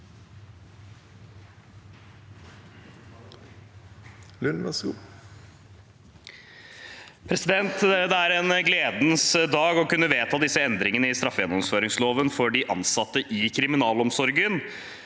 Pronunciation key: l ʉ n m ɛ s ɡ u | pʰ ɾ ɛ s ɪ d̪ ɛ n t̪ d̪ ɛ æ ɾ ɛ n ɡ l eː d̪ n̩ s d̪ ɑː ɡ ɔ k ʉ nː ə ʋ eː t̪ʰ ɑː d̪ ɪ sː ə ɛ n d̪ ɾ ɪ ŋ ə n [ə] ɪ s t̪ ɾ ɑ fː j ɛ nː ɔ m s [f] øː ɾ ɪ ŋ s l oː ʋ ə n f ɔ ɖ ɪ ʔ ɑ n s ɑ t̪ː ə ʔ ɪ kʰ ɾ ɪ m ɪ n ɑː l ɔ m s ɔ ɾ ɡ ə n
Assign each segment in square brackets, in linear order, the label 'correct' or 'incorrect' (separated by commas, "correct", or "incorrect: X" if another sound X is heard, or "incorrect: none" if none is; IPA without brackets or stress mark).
correct, correct